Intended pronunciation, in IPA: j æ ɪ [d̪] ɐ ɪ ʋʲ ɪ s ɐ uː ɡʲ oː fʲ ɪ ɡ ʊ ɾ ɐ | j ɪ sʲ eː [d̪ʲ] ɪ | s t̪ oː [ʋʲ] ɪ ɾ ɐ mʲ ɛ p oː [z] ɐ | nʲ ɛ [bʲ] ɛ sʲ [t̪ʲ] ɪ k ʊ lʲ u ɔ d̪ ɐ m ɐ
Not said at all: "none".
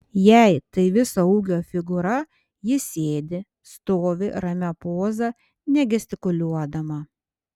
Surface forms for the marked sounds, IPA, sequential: t̪, d̪ʲ, ʋʲ, z, ɡʲ, t̪ʲ

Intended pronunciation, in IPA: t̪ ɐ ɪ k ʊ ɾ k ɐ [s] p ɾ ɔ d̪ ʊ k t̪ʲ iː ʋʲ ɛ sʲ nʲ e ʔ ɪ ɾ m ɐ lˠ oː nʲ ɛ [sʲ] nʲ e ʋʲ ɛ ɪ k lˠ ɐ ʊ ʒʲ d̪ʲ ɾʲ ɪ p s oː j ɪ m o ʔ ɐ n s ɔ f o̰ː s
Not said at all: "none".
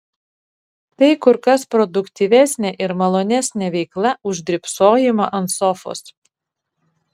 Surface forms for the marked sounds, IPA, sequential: s, sʲ

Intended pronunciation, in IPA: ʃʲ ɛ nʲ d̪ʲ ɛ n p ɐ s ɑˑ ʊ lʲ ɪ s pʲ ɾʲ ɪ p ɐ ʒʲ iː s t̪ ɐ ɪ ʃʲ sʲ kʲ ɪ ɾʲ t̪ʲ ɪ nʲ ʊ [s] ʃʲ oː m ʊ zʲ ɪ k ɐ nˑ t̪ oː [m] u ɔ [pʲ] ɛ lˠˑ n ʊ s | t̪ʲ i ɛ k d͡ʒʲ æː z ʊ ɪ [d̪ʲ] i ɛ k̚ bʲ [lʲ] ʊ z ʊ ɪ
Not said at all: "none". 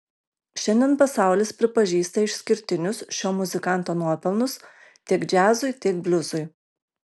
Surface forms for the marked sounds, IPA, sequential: s, n, pʲ, t̪ʲ, lʲ

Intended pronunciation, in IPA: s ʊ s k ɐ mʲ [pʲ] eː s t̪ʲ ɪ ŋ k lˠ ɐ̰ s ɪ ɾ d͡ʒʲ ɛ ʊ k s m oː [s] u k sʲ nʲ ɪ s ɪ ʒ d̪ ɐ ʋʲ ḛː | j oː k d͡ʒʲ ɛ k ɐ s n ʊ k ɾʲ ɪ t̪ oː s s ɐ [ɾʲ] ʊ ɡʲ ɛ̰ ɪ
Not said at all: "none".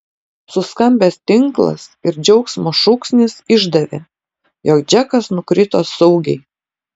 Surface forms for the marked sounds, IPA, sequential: bʲ, ʃ, none

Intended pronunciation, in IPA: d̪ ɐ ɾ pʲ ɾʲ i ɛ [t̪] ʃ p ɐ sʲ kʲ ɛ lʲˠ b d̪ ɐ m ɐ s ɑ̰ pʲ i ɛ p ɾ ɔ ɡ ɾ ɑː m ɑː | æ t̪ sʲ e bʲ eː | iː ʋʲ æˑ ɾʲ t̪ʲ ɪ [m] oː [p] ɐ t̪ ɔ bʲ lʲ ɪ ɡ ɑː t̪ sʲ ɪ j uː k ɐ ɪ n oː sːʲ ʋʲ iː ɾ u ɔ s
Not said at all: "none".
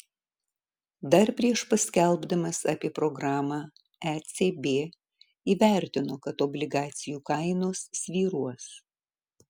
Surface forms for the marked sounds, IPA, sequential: none, n, k

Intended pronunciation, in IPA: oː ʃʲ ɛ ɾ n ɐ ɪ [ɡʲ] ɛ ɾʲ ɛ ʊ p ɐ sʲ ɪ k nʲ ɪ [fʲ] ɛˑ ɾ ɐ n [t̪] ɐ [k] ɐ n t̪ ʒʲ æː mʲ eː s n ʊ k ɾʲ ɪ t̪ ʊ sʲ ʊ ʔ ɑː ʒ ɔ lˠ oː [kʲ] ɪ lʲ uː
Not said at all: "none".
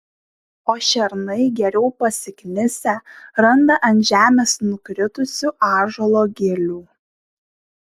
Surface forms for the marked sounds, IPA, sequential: ɡʲ, sʲ, d̪, ʔ, ɡʲ

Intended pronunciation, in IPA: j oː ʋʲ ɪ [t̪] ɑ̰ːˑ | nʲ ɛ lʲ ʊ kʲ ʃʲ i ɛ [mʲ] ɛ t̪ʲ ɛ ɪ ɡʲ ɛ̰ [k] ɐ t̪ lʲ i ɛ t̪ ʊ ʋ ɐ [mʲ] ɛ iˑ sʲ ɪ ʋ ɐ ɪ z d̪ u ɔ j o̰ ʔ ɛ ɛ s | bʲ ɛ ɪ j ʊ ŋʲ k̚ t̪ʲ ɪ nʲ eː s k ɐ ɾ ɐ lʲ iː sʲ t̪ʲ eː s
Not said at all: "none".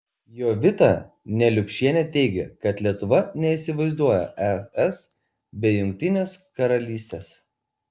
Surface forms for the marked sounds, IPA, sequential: t̪, nʲ, k, nʲ

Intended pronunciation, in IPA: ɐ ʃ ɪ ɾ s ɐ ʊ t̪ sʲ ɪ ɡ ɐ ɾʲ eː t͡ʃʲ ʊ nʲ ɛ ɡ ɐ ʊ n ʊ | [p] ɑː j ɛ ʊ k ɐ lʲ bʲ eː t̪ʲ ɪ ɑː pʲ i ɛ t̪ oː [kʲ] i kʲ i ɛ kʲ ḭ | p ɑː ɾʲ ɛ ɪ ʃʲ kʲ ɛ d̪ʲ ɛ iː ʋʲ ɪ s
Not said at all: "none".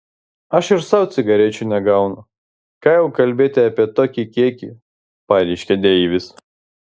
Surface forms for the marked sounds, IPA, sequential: k, kʲ

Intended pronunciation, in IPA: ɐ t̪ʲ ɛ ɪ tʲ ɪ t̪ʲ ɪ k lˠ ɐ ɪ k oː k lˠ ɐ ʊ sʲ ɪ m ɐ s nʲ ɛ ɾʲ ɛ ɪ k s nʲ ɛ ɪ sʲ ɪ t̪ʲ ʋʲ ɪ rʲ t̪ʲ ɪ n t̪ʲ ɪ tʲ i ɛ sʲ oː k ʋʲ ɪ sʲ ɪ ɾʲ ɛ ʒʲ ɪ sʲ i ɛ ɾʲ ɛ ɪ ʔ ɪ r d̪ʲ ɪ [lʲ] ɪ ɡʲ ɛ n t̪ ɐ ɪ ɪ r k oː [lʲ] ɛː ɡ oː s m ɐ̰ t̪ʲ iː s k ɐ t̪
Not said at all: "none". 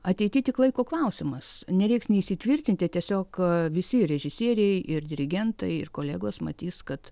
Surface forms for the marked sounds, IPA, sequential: ɾʲ, lʲ

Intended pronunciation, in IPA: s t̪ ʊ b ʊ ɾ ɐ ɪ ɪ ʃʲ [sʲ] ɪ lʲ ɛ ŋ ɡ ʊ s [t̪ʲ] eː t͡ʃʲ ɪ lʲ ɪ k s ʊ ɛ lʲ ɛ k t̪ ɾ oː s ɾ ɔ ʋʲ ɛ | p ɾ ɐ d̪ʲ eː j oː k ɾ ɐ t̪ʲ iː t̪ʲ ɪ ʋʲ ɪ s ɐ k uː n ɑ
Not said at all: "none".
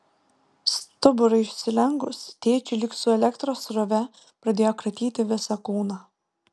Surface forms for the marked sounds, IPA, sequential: sʲ, t̪ʲ

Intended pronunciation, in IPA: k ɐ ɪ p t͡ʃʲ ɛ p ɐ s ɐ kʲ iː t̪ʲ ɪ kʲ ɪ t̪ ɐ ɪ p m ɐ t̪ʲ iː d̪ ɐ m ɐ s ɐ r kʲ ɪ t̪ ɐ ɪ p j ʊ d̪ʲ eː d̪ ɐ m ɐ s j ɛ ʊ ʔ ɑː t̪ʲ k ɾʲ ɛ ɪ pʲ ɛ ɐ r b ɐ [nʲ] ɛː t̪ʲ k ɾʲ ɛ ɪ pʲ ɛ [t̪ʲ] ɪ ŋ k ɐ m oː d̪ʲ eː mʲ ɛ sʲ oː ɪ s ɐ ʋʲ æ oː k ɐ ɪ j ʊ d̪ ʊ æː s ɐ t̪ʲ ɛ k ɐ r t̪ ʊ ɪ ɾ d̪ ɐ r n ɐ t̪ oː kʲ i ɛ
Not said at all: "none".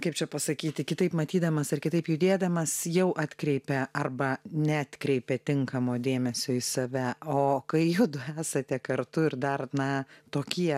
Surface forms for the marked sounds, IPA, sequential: nʲ, t̪ʲ

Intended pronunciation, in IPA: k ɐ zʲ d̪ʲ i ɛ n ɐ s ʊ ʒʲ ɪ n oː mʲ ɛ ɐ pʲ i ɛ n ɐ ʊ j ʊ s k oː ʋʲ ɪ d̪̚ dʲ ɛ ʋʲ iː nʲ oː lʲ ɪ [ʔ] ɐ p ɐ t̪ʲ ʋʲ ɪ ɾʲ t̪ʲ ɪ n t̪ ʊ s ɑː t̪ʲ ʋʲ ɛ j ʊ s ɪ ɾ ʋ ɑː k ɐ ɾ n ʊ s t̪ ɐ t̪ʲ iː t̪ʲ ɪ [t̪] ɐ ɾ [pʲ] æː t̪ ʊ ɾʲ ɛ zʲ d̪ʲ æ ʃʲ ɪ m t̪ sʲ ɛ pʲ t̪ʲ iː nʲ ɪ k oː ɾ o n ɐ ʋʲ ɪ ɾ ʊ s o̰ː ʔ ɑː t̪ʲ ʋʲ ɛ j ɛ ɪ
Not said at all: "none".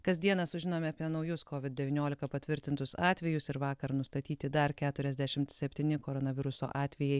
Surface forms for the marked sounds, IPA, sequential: k, d̪, kʲ

